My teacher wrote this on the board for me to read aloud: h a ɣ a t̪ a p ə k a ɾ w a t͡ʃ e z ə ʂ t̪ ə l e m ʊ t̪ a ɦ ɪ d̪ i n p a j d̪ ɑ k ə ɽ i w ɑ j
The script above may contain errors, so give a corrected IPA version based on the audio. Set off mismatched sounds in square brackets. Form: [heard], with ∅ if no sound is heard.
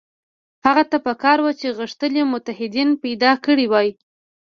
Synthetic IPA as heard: h a ɣ a t̪ a p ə k [ɑ] ɾ w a t͡ʃ e [ɣ] ə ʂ t̪ ə l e m ʊ t̪ a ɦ ɪ d̪ i n p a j d̪ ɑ k ə ɽ i w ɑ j